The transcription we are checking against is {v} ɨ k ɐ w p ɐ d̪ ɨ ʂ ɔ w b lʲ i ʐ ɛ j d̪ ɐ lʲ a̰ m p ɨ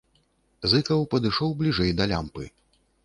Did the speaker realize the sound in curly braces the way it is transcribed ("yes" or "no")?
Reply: no